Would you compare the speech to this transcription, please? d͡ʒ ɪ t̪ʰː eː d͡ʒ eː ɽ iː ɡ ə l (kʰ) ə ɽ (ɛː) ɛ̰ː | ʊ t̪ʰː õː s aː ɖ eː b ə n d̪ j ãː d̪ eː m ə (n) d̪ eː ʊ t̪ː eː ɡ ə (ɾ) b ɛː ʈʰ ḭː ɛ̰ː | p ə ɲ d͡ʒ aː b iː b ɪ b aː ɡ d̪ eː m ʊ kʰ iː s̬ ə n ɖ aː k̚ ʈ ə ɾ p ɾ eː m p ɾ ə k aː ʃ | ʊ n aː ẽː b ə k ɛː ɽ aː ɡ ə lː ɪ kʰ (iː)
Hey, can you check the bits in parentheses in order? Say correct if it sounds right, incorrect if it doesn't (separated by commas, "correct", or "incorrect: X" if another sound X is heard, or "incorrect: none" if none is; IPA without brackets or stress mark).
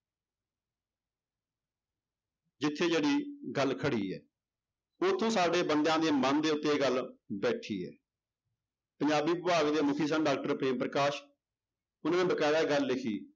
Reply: correct, incorrect: iː, correct, incorrect: l, correct